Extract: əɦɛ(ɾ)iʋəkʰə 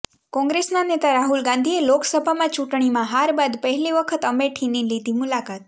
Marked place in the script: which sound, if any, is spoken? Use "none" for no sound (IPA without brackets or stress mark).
l